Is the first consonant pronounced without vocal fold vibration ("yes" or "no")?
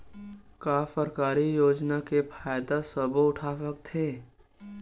yes